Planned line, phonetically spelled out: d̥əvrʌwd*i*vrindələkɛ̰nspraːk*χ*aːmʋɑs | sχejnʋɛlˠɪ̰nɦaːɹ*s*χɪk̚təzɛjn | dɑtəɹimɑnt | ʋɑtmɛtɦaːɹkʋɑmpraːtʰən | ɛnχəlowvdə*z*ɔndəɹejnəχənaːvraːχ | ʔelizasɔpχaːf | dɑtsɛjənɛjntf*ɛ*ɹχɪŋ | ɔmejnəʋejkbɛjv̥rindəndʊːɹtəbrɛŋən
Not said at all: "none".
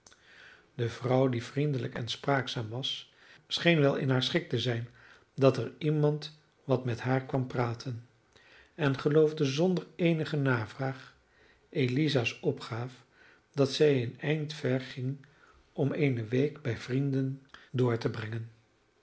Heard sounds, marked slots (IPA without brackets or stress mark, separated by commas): i, s, s, z, ɛ